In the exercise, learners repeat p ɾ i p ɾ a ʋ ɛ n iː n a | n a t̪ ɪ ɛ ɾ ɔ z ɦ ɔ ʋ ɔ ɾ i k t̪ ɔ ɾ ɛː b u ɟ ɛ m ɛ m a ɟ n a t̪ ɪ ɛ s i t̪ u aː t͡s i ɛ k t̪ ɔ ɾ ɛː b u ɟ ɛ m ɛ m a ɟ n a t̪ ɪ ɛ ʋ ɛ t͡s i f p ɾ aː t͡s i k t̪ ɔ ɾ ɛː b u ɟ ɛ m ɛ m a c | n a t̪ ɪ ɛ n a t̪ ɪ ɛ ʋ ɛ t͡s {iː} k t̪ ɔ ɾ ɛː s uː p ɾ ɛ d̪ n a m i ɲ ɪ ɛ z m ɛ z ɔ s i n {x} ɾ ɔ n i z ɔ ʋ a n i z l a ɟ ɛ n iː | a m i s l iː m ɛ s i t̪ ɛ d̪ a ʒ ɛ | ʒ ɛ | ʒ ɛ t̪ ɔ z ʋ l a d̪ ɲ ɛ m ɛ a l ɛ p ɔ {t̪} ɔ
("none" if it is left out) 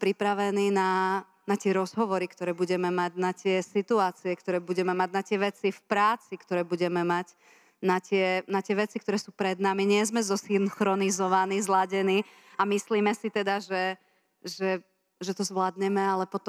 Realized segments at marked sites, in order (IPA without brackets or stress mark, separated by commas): i, x, t̪